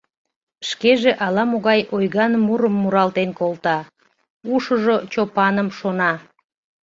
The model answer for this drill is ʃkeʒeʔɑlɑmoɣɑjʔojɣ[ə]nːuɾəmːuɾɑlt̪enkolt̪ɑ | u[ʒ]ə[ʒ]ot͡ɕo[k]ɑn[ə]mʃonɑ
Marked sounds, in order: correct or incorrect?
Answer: incorrect: ɑ, incorrect: ʃ, correct, incorrect: p, correct

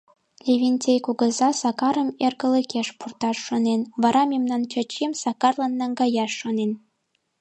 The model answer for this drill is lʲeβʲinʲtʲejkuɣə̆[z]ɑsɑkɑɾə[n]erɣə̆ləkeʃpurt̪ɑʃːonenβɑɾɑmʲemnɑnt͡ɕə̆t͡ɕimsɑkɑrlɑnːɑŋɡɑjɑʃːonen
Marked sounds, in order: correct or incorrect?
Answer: correct, incorrect: m

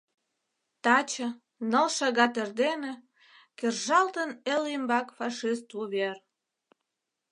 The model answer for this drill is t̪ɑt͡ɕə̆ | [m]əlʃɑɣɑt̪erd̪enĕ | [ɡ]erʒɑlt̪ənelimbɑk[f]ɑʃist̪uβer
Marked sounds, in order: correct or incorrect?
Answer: incorrect: n, incorrect: k, correct

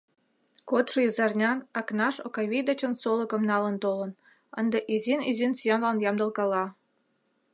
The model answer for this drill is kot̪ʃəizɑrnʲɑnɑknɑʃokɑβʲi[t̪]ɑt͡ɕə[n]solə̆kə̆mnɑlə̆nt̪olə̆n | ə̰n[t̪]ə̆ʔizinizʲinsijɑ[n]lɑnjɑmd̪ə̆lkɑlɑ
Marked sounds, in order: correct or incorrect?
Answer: incorrect: d̪, correct, incorrect: d̪, correct

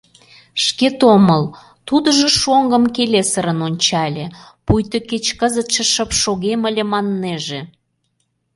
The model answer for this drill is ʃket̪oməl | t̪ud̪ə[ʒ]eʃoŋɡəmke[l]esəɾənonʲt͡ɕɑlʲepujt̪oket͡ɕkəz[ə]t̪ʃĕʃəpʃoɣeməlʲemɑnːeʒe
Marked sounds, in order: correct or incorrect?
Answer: correct, correct, correct

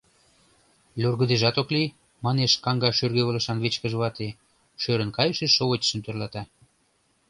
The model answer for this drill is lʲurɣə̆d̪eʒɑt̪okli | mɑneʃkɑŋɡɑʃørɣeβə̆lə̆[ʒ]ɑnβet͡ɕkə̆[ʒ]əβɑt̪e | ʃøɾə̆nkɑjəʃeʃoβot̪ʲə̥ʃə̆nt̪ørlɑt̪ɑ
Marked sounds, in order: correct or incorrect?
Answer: incorrect: ʃ, correct

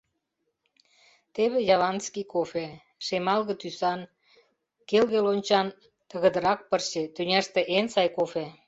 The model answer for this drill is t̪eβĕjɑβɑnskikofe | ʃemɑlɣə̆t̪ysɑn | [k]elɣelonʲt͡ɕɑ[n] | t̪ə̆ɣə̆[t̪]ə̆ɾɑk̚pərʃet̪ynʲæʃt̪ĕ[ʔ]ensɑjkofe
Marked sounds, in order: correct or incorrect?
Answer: correct, correct, incorrect: d̪, correct

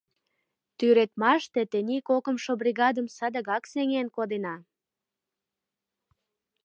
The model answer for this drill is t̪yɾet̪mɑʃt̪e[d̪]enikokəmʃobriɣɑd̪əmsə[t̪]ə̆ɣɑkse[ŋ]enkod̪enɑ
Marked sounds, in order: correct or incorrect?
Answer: incorrect: t̪, incorrect: d̪, correct

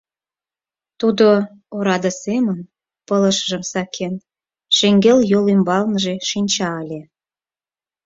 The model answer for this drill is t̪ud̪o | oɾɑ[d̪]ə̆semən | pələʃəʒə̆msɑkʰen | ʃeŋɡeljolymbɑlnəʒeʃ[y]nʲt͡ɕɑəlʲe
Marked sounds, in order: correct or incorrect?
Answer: correct, incorrect: i

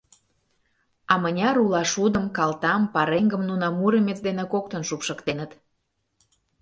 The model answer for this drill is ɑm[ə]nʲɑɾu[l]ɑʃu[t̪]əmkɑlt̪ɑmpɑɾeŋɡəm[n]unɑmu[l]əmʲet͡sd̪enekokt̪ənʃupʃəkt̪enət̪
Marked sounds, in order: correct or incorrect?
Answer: correct, correct, incorrect: d̪, correct, incorrect: ɾ

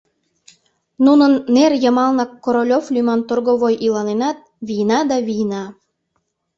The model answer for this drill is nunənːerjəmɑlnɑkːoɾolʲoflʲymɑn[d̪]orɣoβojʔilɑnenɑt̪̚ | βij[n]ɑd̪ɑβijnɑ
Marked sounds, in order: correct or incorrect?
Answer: incorrect: t̪, correct

